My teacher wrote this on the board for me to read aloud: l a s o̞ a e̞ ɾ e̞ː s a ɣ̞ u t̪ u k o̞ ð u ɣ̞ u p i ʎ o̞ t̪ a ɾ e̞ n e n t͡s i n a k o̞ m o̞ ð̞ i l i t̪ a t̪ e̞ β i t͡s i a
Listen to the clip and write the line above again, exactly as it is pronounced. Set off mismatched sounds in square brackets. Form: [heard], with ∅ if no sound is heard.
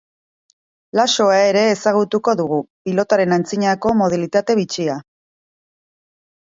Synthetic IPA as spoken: l a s o̞ a e̞ ɾ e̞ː s a ɣ̞ u t̪ u k o̞ ð u ɣ̞ u p i [l] o̞ t̪ a ɾ e̞ n [a] n t͡s i [ɲ] a k o̞ m o̞ ð̞ i l i t̪ a t̪ e̞ β i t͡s i a